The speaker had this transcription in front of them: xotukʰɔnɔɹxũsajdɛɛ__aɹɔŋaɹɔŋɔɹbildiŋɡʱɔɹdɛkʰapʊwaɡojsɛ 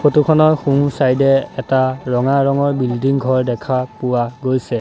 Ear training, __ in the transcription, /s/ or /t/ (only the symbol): t